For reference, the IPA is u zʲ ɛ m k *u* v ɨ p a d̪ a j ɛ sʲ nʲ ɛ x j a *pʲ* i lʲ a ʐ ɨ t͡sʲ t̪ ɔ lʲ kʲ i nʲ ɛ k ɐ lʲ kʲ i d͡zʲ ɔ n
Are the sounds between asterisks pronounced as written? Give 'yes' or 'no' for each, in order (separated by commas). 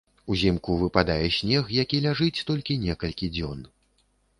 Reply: yes, no